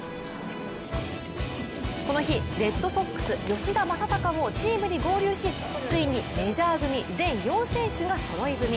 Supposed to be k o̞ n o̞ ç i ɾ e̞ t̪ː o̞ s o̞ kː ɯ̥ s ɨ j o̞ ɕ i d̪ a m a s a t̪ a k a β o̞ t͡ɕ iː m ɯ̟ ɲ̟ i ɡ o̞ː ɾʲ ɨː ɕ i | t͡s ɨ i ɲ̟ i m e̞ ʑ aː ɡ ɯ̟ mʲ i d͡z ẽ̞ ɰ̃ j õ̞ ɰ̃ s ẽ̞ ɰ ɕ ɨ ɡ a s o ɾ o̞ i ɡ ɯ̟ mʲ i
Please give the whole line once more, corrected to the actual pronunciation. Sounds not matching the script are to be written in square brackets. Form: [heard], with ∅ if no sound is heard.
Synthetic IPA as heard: k o̞ n o̞ ç i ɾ e̞ t̪ː o̞ s o̞ kː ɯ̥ s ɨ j o̞ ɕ i d̪ a m a s a t̪ a k a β o̞ t͡ɕ iː m ɯ̟ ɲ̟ i ɡ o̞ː ɾʲ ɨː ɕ i | t͡s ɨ i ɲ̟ i m e̞ ʑ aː ɡ ɯ̟ mʲ i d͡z ẽ̞ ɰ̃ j õ̞ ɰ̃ s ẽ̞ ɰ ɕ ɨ ɡ a s o ɾ o̞ i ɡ ɯ̟ mʲ i